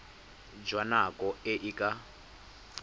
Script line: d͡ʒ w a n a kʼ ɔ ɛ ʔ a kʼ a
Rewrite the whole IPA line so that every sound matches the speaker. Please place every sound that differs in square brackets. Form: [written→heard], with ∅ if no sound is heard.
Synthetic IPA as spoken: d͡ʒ w a n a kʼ ɔ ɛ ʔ [a→i] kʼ a